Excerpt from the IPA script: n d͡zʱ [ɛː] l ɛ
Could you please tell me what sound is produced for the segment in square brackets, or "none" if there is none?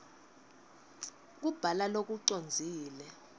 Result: iː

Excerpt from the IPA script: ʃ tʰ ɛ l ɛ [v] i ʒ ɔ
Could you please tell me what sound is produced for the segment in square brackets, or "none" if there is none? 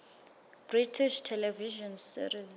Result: v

